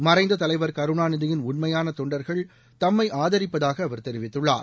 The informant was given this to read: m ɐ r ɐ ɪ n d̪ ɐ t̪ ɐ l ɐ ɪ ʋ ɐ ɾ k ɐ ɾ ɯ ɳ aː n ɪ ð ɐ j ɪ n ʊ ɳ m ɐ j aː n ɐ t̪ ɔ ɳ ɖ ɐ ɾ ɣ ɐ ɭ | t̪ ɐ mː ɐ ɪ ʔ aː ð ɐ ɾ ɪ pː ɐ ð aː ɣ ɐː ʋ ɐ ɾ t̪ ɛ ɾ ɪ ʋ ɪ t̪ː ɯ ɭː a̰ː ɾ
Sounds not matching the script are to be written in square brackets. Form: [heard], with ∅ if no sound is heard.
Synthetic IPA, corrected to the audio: m ɐ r ɐ ɪ n d̪ ɐ t̪ ɐ l ɐ ɪ ʋ ɐ ɾ k ɐ ɾ ɯ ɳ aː n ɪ ð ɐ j ɪ n ʊ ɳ m ɐ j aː n ɐ t̪ ɔ ɳ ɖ ɐ ɾ ɣ ɐ ɭ | t̪ ɐ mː ɐ ɪ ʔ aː ð ɐ ɾ ɪ pː ɐ ð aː ɣ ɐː ʋ ɐ ɾ t̪ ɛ ɾ ɪ ʋ ɪ t̪ː ɯ ɭː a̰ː ɾ